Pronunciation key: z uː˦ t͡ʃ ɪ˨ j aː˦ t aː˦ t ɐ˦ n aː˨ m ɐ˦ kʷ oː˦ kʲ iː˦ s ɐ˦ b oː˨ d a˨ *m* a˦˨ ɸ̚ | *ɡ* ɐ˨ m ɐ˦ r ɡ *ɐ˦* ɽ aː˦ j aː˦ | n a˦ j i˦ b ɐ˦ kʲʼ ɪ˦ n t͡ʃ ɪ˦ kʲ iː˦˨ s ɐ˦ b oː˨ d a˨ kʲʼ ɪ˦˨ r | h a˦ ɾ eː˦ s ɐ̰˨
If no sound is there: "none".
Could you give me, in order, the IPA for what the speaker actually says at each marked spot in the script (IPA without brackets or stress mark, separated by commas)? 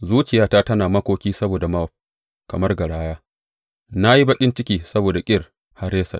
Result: m, k, ɐ˨